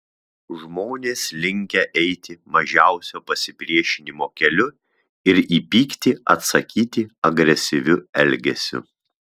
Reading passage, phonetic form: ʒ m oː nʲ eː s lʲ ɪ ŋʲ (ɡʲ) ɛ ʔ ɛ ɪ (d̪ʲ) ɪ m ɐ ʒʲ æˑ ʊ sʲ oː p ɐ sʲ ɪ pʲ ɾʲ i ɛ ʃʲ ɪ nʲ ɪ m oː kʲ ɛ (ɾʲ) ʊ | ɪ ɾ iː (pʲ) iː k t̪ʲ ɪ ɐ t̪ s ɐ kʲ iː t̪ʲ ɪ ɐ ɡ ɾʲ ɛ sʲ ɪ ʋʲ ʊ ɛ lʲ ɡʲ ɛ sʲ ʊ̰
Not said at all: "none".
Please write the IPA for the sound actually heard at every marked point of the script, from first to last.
kʲ, t̪ʲ, lʲ, pʲ

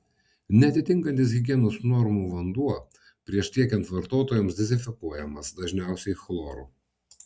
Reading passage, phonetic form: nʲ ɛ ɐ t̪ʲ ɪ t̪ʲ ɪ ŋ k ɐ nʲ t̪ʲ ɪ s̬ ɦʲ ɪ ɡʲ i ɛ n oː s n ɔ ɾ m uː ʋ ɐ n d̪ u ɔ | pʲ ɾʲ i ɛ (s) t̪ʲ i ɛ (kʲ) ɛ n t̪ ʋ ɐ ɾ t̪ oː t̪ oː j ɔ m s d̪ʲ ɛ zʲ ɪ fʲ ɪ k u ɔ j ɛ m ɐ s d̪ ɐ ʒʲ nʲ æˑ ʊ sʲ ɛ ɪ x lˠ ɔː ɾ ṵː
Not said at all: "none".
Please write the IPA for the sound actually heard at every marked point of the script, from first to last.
ʃ, kʲ

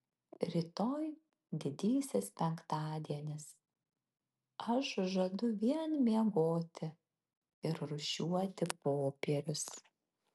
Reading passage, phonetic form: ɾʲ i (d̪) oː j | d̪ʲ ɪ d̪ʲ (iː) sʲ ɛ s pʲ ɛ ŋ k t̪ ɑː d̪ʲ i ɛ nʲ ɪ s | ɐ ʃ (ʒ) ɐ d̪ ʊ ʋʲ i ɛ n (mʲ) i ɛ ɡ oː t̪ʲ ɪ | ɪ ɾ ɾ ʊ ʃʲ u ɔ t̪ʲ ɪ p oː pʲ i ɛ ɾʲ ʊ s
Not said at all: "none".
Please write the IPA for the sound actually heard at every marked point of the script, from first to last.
t̪, iː, ʒ, mʲ

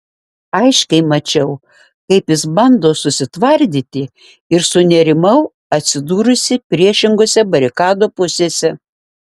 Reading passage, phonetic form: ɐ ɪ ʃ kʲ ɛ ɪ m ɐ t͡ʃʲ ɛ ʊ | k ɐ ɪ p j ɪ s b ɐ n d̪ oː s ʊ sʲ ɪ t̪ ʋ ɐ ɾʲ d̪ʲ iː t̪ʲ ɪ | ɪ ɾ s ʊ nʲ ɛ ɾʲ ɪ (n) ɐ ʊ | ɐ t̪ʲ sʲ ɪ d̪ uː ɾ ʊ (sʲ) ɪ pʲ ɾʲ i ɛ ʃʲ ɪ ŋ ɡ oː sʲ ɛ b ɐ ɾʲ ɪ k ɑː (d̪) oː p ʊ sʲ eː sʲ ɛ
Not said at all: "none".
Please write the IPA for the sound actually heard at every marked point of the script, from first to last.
m, sʲ, d̪

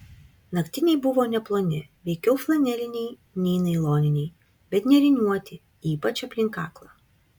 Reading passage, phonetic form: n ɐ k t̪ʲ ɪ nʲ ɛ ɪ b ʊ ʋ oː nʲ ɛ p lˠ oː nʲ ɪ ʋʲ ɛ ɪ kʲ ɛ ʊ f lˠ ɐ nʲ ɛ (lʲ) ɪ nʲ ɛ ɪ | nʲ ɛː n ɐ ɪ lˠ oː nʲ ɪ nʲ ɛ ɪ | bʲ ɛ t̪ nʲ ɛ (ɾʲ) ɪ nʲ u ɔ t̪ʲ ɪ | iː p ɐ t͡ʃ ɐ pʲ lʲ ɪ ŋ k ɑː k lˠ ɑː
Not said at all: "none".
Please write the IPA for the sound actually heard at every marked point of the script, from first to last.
lʲ, ɾʲ

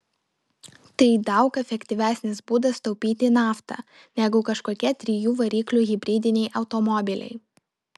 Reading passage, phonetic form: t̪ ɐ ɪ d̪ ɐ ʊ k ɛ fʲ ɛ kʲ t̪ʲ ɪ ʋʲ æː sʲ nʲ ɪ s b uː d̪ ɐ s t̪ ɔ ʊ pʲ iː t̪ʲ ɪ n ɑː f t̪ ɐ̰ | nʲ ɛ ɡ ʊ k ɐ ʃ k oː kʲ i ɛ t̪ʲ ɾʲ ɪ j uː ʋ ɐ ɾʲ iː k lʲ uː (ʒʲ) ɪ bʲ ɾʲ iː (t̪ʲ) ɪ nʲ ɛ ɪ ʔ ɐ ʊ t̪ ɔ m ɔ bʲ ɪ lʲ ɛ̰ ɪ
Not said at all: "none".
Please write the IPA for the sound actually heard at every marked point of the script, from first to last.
ɣʲ, d̪ʲ

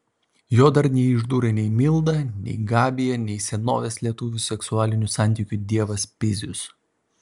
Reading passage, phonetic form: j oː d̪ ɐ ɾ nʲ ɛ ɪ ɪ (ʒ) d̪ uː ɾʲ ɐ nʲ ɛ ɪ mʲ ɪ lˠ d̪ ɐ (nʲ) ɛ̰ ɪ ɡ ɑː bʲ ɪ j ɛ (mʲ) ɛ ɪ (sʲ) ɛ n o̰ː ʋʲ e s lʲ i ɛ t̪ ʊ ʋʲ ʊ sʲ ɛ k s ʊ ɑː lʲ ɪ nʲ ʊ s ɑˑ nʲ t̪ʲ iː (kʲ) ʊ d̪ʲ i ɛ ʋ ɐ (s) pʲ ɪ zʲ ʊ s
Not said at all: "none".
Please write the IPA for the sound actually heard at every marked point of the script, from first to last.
ʒ, nʲ, nʲ, sʲ, kʲ, s

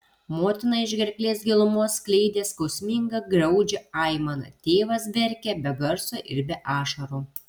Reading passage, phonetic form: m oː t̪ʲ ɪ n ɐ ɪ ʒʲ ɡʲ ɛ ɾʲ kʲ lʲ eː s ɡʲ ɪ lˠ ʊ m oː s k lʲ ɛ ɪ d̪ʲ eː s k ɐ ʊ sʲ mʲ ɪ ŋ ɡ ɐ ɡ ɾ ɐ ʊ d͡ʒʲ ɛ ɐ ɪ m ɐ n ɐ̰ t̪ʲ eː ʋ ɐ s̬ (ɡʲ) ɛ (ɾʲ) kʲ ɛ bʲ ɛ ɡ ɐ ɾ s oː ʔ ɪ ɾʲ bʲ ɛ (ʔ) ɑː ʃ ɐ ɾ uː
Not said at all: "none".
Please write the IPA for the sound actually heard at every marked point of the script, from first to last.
bʲ, ɾʲ, ʔ

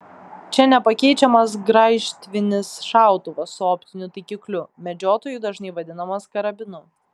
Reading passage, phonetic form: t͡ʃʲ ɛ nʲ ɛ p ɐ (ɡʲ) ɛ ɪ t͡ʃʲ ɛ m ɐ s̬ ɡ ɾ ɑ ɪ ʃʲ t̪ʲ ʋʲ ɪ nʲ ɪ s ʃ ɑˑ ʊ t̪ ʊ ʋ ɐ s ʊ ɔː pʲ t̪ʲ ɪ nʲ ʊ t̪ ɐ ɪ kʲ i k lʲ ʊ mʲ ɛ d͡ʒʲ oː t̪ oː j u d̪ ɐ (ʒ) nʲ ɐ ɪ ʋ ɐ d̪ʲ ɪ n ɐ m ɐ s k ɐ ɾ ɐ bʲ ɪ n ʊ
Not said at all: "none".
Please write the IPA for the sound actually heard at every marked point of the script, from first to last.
kʲ, ʒ

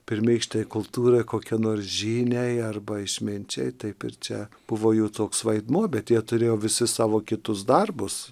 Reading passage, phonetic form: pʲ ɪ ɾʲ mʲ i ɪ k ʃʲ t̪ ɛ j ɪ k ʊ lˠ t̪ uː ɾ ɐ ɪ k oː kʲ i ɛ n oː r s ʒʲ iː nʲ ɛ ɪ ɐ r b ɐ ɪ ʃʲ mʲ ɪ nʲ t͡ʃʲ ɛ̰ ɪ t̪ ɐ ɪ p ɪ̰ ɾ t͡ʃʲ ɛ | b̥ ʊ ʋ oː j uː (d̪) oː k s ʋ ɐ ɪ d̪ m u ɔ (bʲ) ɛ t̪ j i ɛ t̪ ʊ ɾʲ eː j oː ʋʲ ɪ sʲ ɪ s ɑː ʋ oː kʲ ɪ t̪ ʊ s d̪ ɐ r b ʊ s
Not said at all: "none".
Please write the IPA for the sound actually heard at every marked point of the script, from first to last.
t̪, bʲ

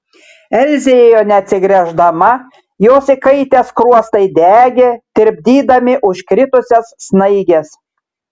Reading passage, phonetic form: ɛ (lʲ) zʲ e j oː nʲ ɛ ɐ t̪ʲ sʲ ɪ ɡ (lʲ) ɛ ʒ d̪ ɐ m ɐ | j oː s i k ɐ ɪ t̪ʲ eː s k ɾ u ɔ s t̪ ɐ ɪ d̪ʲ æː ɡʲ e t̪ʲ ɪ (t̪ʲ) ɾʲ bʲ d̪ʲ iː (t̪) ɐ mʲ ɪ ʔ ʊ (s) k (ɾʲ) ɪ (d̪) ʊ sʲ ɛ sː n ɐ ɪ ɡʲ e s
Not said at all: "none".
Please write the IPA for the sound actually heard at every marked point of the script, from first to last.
lʲ, ɾʲ, none, d̪, ʃ, ɾʲ, t̪

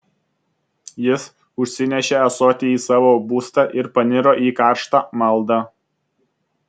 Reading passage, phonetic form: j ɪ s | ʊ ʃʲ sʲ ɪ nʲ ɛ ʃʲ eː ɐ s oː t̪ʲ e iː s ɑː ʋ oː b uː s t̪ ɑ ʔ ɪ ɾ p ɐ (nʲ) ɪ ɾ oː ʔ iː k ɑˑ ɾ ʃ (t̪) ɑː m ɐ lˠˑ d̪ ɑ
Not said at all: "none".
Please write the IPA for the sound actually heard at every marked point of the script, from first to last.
nʲ, t̪

